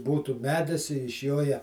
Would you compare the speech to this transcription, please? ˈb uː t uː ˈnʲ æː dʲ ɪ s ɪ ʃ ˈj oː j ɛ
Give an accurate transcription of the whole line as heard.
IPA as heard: ˈb uː t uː ˈmʲ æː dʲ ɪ s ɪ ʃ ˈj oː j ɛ